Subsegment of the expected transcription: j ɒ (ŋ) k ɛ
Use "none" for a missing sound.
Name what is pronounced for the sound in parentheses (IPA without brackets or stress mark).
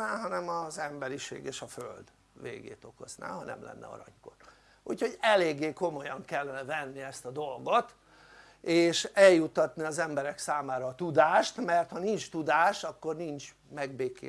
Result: ŋ